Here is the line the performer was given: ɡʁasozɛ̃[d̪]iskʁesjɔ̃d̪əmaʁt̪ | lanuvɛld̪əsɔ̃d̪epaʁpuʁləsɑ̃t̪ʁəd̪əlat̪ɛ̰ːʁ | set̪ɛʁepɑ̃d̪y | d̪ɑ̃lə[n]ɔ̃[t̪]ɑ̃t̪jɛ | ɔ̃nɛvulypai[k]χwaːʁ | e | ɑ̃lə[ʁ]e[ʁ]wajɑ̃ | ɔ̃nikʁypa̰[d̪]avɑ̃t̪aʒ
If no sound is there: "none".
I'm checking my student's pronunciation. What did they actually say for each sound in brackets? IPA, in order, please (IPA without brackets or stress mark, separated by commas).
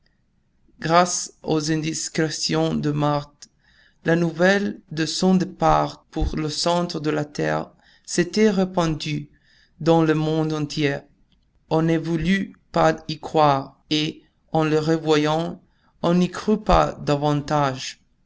d̪, m, d̪, k, ʁ, v, d̪